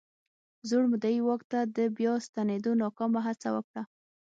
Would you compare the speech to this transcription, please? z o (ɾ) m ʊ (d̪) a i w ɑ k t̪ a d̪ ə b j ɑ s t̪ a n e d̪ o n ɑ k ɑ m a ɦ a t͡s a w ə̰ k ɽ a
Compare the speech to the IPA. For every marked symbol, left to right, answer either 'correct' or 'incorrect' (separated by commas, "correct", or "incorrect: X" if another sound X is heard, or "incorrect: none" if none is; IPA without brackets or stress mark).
incorrect: ɽ, correct